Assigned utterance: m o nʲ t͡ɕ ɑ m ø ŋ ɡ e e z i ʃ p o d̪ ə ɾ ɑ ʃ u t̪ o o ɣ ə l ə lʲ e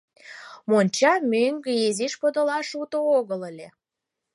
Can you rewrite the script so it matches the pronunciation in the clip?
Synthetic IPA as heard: m o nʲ t͡ɕ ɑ m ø ŋ ɡ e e z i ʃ p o d̪ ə l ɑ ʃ u t̪ o o ɣ ə l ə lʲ e

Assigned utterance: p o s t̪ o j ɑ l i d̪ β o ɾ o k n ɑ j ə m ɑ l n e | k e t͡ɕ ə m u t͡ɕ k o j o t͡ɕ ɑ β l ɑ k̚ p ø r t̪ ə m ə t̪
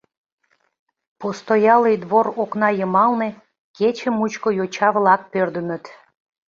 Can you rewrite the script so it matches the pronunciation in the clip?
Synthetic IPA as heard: p o s t̪ o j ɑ l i d̪ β o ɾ o k n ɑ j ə m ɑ l n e | k e t͡ɕ ə m u t͡ɕ k o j o t͡ɕ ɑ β l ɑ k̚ p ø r d̪ ə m ə t̪

